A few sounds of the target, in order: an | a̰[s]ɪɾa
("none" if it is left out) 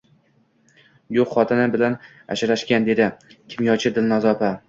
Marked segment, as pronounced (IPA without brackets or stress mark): ʃ